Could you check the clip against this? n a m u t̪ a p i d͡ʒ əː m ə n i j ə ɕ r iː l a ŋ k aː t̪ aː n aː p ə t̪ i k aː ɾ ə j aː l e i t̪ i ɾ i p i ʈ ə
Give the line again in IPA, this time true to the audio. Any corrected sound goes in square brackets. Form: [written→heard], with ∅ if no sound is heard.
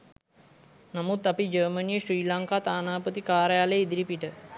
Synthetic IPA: n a m u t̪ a p i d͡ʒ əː m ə n i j ə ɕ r iː l a ŋ k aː t̪ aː n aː p ə t̪ i k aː ɾ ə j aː l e i [t̪→d̪] i ɾ i p i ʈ ə